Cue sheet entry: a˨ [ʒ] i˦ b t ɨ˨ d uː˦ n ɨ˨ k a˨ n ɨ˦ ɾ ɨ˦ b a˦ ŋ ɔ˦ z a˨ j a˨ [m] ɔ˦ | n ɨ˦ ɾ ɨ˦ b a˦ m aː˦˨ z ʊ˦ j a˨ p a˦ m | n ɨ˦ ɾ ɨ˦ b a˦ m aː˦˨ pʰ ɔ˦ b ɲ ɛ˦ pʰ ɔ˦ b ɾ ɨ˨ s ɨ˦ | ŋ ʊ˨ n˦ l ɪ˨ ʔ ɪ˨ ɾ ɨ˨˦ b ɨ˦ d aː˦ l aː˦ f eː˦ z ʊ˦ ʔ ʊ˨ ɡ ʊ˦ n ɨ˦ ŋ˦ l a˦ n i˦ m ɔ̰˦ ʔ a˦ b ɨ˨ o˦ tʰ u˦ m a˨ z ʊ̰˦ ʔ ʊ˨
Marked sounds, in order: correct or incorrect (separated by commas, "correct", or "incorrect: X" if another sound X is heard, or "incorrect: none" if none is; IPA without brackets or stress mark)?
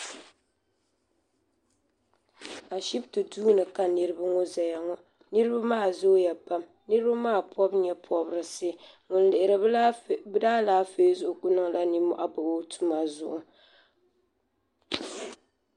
incorrect: ʃ, incorrect: ŋ